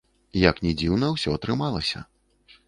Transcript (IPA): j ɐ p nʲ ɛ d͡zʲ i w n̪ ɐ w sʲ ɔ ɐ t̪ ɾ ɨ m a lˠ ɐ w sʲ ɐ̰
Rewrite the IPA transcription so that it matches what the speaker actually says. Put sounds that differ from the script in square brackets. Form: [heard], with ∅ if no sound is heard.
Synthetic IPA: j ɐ [k] nʲ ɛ d͡zʲ i w n̪ ɐ w sʲ ɔ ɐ t̪ ɾ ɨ m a lˠ ɐ [∅] sʲ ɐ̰